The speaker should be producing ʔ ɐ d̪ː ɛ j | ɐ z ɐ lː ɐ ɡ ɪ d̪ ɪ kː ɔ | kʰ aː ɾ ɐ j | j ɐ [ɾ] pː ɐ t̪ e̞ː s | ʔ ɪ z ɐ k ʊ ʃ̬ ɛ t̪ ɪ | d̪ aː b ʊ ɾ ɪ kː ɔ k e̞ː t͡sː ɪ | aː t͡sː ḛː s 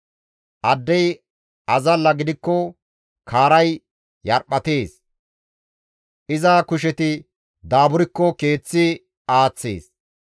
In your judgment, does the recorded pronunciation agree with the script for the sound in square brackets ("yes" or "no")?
yes